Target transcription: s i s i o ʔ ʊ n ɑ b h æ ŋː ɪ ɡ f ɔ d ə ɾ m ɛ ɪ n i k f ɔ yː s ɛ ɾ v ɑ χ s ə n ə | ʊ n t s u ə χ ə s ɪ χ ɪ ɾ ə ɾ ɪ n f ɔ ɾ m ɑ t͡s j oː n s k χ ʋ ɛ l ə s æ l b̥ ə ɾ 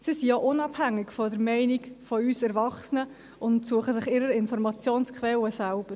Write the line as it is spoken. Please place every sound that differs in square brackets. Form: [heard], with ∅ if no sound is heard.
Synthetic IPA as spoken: s i s i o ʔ ʊ n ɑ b h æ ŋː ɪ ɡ f ɔ d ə ɾ m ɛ ɪ n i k f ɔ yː s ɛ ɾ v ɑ χ s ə n ə | ʊ n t s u ə χ ə s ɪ χ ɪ ɾ ə ɾ ɪ n f ɔ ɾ m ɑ t͡s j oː n s k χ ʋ ɛ l ə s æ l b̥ ə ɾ